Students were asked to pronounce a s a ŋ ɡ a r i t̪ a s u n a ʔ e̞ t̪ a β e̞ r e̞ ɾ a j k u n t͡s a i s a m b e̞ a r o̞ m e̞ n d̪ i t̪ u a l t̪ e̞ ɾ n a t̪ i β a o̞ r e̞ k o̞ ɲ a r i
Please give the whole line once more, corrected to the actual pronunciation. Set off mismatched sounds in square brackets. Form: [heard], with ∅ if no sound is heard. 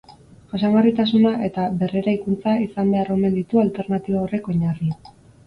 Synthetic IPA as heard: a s a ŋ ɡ a r i t̪ a s u n a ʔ e̞ t̪ a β e̞ r e̞ ɾ a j k u n t͡s a i s a m b e̞ a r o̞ m e̞ n d̪ i t̪ u a l t̪ e̞ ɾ n a t̪ i β a o̞ r e̞ k o̞ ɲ a r i